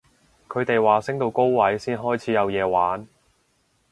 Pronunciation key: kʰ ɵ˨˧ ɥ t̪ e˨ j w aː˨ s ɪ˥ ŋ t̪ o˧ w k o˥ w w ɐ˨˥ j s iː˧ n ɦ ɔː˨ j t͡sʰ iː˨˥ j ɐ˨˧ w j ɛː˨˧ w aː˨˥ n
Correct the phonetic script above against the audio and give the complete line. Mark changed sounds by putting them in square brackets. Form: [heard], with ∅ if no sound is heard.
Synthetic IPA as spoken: kʰ ɵ˨˧ ɥ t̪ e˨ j w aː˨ s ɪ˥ ŋ t̪ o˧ w k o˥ w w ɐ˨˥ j s [iː˥] n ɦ [ɔː˥] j t͡sʰ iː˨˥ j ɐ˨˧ w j ɛː˨˧ w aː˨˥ n